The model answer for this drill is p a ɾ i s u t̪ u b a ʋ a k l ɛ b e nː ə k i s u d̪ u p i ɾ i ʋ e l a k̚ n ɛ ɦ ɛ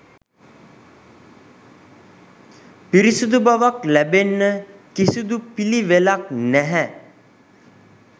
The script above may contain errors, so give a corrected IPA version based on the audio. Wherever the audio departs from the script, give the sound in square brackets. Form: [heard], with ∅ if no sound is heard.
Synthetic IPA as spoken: p [i] ɾ i s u [d̪] u b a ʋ a k l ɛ b e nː ə k i s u d̪ u p i [l] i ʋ e l a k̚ n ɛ ɦ ɛ